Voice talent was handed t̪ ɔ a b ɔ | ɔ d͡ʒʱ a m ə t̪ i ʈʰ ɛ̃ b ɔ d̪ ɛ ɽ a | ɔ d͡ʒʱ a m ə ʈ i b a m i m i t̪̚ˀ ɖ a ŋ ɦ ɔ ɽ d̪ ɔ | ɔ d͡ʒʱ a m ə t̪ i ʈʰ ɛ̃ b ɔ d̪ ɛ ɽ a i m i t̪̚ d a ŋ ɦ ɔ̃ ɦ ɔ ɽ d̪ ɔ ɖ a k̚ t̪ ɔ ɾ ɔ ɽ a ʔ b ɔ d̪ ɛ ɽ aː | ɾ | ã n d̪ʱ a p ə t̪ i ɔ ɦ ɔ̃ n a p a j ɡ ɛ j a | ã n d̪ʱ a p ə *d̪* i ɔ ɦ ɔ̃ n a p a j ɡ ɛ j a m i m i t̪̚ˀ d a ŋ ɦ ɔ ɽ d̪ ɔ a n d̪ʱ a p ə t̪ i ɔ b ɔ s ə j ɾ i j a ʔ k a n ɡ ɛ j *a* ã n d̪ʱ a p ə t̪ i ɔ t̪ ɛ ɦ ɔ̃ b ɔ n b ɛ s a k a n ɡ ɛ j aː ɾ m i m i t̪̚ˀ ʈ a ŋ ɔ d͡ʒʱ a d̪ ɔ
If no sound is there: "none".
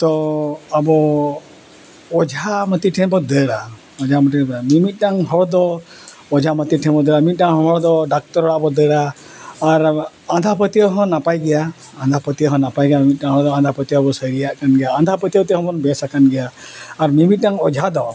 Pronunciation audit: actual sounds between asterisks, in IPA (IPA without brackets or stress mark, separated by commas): t̪, a